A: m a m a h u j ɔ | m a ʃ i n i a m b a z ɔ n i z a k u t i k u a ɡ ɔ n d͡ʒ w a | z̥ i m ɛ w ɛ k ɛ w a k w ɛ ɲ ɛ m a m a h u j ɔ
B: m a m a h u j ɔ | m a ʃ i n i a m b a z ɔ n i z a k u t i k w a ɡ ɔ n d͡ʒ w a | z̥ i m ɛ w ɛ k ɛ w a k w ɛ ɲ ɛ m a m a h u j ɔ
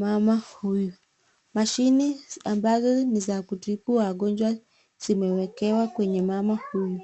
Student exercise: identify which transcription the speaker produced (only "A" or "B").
A